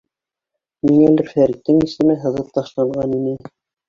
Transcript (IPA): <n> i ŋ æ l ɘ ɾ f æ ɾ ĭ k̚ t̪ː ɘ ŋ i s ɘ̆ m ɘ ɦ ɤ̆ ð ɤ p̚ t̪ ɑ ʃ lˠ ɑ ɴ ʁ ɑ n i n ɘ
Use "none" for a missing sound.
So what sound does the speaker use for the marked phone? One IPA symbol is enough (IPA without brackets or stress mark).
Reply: m